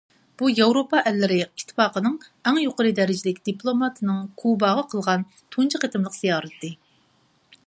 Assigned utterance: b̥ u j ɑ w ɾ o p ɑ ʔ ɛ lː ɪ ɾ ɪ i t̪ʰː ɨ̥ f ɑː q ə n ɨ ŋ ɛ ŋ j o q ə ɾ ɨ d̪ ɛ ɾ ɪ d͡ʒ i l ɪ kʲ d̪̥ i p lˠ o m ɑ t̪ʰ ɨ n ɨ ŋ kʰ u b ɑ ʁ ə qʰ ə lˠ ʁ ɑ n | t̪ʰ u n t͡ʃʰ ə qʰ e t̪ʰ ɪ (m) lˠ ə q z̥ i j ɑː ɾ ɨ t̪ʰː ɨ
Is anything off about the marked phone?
no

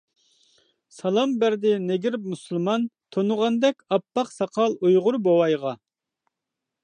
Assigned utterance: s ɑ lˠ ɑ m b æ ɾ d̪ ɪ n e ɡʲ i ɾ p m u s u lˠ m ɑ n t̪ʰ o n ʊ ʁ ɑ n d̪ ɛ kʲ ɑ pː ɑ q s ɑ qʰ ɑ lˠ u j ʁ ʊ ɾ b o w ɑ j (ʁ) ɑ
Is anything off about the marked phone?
no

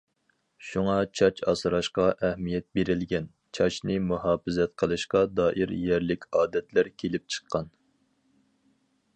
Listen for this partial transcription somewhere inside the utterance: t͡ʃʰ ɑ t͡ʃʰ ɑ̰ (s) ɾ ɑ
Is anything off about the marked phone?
no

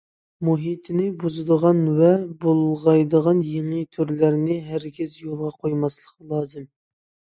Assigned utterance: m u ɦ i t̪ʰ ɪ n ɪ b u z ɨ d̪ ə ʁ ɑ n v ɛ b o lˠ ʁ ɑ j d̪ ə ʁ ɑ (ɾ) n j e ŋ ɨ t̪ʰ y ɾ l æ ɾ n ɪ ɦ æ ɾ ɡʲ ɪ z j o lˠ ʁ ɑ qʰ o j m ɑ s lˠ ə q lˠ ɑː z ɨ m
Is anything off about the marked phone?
yes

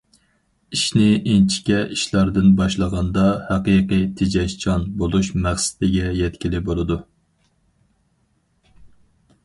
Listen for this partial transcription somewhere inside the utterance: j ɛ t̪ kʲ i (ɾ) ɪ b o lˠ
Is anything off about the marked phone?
yes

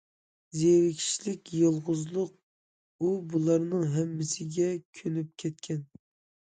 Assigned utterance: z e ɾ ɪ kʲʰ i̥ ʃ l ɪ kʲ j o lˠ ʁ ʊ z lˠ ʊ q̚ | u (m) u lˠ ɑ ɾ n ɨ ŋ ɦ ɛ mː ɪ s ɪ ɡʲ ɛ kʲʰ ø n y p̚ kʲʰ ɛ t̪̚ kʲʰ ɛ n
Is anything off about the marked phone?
yes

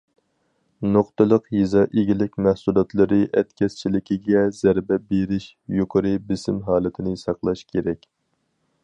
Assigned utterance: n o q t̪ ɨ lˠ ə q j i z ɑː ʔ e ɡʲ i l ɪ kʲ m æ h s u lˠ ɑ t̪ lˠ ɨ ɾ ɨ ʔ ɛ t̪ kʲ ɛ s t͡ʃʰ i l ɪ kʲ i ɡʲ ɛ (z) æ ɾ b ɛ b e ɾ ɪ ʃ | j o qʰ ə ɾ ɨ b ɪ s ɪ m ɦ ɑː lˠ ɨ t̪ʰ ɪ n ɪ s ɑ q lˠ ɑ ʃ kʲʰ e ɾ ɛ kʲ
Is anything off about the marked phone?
no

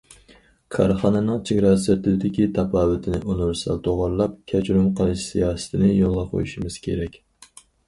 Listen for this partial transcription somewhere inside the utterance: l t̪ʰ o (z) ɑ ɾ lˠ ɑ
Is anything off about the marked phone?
yes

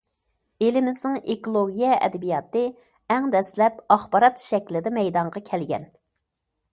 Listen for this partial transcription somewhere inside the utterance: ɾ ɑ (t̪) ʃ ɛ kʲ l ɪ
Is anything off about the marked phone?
no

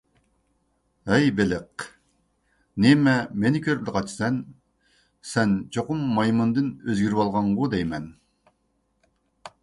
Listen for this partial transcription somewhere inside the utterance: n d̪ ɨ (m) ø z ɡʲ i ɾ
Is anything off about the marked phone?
yes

